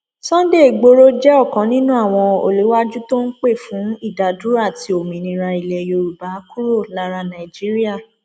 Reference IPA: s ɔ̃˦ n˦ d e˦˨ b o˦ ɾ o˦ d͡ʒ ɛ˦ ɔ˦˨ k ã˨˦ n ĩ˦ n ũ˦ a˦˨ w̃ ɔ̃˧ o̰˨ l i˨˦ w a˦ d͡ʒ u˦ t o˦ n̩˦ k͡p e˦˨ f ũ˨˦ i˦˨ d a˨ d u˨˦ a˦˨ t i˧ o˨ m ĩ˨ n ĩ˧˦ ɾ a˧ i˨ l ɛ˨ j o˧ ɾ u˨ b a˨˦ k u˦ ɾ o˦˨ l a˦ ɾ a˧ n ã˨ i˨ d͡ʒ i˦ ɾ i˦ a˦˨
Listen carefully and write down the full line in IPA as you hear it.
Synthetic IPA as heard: s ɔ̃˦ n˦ d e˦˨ ɡ͡b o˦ ɾ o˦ d͡ʒ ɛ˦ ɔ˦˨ k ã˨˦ n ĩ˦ n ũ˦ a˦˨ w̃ ɔ̃˧ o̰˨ l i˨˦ w a˦ d͡ʒ u˦ t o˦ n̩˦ k͡p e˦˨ f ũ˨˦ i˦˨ d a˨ d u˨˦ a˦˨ t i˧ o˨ m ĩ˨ n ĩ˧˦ ɾ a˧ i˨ l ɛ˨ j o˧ ɾ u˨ b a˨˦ k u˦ ɾ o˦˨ l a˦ ɾ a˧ n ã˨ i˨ d͡ʒ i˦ ɾ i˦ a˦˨

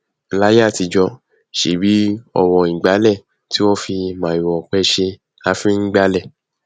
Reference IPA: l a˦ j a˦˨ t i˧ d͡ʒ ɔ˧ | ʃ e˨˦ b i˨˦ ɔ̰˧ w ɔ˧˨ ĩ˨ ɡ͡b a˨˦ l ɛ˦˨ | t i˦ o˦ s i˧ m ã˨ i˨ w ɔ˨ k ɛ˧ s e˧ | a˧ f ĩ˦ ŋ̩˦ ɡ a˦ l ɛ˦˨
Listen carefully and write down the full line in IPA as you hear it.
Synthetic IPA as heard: l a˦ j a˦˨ t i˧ d͡ʒ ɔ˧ | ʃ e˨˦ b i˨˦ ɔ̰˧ w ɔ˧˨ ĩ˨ ɡ͡b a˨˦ l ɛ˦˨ | t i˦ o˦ f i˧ m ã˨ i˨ w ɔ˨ k͡p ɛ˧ ʃ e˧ | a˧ f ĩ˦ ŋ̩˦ ɡ͡b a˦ l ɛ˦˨

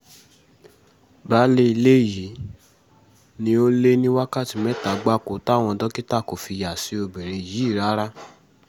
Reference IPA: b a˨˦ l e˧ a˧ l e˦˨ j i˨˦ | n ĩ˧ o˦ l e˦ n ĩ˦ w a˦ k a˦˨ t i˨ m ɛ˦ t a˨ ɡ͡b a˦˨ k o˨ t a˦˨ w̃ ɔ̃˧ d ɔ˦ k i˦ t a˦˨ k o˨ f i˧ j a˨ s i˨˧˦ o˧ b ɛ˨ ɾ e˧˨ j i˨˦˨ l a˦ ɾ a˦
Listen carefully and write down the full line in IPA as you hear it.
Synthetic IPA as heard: b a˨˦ l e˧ i˧ l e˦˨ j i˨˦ | n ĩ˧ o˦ l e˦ n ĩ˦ w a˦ k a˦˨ t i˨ m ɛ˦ t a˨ ɡ͡b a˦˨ k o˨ t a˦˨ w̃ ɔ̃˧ d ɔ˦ k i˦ t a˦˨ k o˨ f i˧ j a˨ s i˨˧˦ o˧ b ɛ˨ ɾ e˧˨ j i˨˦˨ ɾ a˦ ɾ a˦

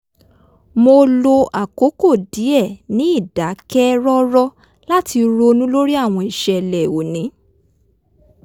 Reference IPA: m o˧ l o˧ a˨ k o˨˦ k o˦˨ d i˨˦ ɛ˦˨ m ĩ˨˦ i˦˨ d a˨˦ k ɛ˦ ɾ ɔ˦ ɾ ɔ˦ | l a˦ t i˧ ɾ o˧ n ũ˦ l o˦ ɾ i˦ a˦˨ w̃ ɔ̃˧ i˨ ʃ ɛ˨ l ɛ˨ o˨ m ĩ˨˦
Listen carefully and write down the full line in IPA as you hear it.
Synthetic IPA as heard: m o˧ l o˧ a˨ k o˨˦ k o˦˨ d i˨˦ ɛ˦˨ n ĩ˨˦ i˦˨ d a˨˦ k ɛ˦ ɾ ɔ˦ ɾ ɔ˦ | l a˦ t i˧ ɾ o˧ n ũ˦ l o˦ ɾ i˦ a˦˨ w̃ ɔ̃˧ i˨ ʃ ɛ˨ l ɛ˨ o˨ n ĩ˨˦

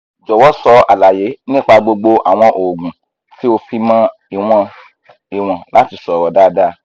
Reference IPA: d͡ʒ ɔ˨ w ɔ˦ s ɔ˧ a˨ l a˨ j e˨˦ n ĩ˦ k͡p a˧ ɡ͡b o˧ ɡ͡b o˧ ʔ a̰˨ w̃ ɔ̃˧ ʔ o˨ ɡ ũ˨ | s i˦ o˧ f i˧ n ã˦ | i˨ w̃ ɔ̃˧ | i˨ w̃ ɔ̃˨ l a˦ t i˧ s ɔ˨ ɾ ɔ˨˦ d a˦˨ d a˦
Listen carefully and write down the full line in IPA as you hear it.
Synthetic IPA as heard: d͡ʒ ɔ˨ w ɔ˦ s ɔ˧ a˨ l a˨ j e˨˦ n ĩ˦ k͡p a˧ ɡ͡b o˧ ɡ͡b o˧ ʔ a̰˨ w̃ ɔ̃˧ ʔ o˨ ɡ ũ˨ | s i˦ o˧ f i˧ m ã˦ | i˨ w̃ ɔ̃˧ | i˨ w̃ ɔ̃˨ l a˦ t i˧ s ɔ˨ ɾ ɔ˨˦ d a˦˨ d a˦

